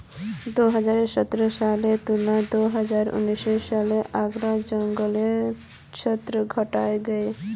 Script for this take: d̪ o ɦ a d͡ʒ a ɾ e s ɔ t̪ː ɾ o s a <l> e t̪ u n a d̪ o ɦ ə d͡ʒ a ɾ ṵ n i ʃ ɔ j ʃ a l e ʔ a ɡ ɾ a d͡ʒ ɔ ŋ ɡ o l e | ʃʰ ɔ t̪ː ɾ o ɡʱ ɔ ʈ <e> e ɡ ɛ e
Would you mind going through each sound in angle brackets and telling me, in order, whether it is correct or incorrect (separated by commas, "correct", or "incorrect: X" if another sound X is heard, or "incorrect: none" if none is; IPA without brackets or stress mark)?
correct, incorrect: a